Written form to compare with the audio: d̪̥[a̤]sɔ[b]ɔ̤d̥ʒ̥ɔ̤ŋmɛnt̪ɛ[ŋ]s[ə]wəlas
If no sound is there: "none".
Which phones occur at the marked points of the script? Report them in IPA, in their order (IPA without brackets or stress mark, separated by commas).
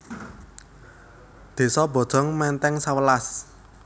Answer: e̤, b, ŋ, a